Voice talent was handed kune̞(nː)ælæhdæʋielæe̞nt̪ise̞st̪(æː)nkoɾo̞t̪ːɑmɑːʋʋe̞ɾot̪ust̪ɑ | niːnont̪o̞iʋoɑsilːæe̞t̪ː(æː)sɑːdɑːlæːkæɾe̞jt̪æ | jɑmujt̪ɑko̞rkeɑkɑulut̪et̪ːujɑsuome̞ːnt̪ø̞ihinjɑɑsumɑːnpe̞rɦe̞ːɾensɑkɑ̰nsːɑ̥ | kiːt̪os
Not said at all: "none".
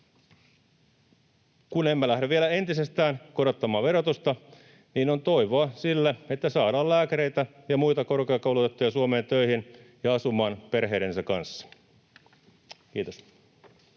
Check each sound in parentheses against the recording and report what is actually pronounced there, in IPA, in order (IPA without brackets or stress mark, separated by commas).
mː, æː, æ